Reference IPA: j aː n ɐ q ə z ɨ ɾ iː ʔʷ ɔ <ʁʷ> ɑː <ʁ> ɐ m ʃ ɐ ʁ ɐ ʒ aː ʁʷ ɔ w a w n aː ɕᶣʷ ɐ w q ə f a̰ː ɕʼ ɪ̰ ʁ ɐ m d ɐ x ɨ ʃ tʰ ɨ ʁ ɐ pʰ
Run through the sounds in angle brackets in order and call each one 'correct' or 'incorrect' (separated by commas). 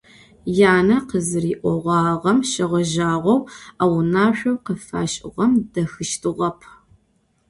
correct, correct